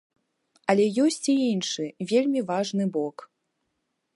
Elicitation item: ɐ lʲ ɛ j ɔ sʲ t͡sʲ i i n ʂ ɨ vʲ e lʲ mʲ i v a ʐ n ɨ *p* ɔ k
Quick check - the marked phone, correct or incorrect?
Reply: incorrect